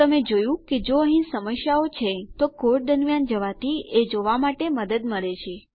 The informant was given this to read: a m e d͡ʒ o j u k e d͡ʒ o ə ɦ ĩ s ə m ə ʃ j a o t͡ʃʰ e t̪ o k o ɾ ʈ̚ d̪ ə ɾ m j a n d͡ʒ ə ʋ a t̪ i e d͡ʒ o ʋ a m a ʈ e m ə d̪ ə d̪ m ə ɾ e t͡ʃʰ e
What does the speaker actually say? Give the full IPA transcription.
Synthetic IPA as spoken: ə m e d͡ʒ o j ũ k e d͡ʒ o ə ɦ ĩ s ə m ə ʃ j a o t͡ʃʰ e t̪ o k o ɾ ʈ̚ d̪ ə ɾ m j a n d͡ʒ ə ʋ a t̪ i e d͡ʒ o ʋ a m a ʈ e m ə d̪ ə d̪ m ə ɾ e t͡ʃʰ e